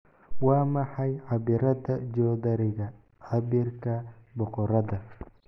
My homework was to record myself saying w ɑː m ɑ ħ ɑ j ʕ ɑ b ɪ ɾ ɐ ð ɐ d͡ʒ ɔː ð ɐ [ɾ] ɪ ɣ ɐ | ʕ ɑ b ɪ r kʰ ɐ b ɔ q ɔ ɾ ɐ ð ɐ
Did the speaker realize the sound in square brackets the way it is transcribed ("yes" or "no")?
yes